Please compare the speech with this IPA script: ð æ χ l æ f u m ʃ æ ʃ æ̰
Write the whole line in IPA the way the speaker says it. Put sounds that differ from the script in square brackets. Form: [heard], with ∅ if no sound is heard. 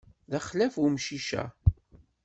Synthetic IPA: ð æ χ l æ f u m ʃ [i] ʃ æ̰